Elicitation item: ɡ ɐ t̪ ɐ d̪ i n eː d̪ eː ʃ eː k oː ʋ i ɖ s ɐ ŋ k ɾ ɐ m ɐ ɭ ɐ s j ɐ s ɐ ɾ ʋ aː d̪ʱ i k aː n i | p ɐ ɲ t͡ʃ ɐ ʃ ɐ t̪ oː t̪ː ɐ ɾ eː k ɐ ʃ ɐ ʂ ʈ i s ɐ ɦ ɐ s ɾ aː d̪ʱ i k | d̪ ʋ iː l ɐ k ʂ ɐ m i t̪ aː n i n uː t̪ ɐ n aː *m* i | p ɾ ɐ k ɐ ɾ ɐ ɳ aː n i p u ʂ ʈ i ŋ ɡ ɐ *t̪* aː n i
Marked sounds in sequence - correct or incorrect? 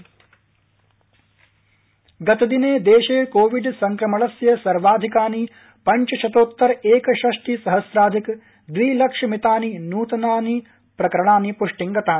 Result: incorrect, correct

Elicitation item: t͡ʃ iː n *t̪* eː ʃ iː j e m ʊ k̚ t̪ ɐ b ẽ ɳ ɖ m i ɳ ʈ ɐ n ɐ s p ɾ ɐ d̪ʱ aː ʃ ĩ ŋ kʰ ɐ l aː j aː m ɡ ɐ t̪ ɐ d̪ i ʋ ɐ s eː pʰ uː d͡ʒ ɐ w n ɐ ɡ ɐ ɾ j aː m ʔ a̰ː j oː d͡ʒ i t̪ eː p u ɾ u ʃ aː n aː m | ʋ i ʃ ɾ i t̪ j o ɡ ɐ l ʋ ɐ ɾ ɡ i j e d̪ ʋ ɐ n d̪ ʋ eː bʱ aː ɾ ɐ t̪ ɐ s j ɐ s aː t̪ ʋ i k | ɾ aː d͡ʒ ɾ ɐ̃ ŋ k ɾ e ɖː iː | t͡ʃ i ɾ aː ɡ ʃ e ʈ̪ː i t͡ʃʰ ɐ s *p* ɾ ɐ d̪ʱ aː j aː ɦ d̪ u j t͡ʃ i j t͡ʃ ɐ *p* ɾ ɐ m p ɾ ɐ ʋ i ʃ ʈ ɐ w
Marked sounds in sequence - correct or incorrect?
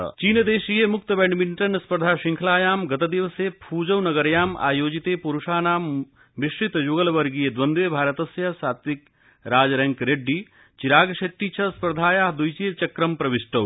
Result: incorrect, correct, incorrect

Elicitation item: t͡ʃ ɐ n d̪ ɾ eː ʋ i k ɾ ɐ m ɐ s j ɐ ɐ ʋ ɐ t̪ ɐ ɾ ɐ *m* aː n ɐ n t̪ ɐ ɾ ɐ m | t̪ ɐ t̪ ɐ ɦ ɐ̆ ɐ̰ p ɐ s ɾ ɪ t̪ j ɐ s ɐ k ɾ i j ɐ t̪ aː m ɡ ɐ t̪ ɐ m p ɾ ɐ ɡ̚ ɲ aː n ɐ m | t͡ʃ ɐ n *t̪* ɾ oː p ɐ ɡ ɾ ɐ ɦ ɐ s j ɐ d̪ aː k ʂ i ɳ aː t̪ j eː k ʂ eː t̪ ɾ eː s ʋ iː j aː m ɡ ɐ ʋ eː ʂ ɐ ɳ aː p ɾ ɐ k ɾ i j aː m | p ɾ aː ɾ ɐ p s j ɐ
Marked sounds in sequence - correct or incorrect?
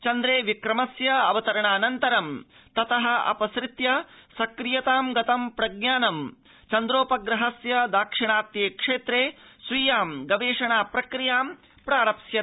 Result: incorrect, incorrect

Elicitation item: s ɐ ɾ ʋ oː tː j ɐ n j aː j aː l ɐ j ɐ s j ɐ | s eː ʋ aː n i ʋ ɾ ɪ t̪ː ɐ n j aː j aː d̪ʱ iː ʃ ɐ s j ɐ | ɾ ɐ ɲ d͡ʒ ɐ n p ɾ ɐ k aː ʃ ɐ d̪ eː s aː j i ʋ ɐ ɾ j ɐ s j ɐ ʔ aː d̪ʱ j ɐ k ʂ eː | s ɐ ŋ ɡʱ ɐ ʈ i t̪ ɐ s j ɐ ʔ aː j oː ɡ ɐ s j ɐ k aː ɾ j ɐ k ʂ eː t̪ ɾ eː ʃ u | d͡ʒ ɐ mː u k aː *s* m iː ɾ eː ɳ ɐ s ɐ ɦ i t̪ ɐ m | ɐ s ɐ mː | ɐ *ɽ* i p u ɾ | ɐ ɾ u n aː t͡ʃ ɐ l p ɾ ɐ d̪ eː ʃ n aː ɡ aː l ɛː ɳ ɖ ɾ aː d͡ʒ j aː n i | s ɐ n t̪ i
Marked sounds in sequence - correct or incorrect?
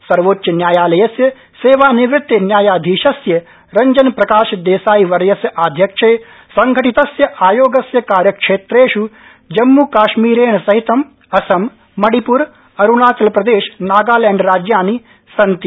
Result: incorrect, correct

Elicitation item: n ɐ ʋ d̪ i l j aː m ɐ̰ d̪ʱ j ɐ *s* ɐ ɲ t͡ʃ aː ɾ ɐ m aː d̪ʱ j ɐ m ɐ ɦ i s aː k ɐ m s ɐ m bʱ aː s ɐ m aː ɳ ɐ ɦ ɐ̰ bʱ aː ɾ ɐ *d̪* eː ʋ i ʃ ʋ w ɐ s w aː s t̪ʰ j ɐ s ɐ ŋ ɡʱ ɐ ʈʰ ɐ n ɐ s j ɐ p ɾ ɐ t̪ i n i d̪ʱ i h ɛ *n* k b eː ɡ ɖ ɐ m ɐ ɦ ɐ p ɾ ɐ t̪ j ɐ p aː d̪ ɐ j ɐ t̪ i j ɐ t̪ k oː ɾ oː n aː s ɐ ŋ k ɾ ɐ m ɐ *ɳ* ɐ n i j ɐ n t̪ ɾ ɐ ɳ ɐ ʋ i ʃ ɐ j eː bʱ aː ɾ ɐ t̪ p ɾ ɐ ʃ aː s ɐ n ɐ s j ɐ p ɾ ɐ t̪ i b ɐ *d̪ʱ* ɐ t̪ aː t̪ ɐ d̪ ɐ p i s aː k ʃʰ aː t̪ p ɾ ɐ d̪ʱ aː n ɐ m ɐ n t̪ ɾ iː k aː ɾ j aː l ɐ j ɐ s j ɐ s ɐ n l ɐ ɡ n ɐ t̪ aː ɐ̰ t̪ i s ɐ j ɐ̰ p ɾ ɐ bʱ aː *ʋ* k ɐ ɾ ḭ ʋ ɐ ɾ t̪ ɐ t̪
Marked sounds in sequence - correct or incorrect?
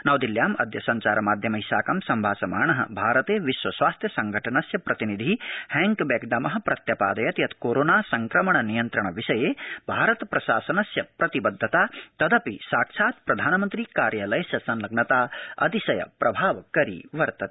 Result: correct, incorrect, incorrect, correct, incorrect, correct

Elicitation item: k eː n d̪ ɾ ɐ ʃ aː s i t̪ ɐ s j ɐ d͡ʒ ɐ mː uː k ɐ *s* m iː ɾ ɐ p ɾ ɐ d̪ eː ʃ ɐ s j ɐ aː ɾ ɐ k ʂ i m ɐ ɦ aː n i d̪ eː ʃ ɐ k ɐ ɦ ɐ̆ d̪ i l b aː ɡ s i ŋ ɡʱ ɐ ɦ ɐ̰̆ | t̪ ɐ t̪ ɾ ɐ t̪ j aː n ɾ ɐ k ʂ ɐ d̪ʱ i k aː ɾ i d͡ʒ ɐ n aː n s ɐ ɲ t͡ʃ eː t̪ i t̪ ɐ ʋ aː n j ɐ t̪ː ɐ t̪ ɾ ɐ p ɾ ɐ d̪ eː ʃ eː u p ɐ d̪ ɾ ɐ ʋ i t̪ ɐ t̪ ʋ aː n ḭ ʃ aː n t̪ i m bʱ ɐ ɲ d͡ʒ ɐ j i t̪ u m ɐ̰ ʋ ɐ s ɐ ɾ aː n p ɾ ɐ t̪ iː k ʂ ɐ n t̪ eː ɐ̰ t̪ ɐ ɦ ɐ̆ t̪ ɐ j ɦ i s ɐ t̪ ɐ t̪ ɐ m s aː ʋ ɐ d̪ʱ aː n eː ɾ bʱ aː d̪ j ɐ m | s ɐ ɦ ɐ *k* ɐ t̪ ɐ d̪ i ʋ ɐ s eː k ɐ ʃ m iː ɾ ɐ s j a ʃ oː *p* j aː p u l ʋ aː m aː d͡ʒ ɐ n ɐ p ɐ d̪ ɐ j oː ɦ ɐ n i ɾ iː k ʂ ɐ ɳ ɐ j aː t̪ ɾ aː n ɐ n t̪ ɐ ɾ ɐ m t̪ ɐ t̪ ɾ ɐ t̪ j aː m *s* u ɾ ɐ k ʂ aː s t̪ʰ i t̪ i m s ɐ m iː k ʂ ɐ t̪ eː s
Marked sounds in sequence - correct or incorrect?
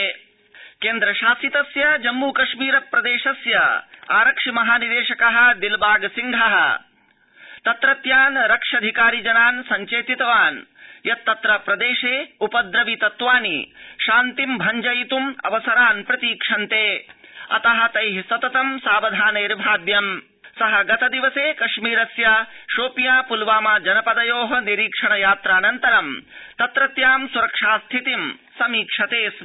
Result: incorrect, incorrect, correct, correct

